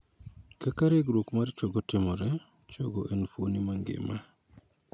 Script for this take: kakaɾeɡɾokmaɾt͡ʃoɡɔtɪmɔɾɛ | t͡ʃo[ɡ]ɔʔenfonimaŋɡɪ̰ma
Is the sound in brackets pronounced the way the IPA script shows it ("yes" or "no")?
yes